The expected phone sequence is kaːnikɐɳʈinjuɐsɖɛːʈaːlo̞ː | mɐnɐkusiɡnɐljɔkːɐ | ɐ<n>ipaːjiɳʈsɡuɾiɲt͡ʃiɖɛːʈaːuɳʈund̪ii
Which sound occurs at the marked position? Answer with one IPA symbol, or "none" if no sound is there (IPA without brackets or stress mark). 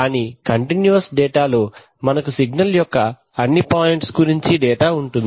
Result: nː